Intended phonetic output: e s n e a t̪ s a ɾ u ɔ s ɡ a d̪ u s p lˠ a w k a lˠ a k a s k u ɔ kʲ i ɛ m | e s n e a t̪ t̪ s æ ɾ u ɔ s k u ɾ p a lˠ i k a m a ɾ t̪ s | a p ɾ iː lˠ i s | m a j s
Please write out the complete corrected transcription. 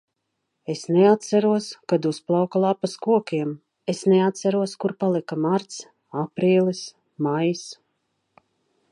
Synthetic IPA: e s n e a t̪ s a ɾ u ɔ s k a d̪ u s p lˠ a w k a lˠ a p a s k u ɔ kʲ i ɛ m | e s n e a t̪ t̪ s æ ɾ u ɔ s k u ɾ p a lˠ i k a m a ɾ t̪ s | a p ɾ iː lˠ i s | m a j s